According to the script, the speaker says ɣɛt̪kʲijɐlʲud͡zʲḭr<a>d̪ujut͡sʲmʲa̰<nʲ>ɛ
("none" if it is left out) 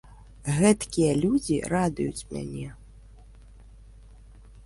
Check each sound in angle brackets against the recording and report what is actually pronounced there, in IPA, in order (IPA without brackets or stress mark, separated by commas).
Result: a, nʲ